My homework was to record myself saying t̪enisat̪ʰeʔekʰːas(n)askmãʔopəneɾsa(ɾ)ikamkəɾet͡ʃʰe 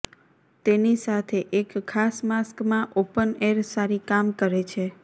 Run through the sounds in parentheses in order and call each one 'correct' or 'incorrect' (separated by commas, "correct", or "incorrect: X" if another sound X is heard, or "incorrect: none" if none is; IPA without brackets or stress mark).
incorrect: m, correct